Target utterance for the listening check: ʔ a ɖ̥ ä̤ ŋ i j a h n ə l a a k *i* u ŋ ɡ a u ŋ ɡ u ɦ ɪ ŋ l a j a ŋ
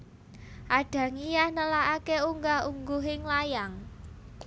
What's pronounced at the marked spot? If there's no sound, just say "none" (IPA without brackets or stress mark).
e